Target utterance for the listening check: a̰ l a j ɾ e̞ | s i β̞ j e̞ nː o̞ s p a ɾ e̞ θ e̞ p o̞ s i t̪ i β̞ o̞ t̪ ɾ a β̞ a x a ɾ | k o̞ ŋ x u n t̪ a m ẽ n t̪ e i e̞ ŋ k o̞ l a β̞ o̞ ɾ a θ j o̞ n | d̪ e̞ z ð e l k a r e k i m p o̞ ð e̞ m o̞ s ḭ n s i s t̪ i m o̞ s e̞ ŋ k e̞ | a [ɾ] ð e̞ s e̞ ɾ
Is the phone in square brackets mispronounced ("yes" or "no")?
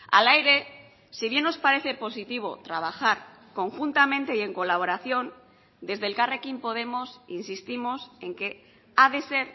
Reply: yes